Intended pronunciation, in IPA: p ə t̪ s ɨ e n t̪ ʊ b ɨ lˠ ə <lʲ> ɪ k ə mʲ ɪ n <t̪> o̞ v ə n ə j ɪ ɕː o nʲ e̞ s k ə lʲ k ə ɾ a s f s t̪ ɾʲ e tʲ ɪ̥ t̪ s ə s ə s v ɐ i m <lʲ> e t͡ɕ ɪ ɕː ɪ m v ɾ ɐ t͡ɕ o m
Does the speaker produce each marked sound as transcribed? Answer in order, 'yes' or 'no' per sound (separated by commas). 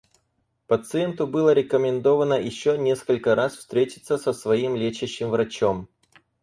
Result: no, no, yes